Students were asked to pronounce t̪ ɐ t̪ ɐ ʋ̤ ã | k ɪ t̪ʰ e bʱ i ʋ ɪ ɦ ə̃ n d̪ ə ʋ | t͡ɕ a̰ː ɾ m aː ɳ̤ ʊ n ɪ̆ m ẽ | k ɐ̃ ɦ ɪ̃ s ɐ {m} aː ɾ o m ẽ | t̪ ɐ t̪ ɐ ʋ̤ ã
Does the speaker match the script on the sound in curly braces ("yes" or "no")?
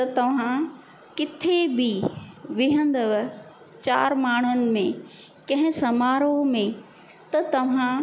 yes